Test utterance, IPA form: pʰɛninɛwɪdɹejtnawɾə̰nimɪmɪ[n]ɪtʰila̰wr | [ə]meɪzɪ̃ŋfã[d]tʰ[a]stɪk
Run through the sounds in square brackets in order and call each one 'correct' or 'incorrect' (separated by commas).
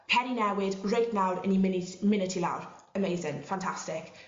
correct, correct, incorrect, correct